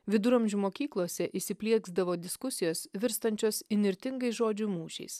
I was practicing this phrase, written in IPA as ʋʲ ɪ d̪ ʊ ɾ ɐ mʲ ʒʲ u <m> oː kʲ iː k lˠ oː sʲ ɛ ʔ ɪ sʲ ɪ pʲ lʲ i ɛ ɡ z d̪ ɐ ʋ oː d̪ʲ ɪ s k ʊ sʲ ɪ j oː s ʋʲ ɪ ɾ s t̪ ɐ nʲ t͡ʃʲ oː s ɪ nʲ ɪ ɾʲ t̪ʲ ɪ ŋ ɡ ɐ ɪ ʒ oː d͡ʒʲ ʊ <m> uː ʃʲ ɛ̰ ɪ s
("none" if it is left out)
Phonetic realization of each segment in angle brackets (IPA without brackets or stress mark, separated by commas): m, m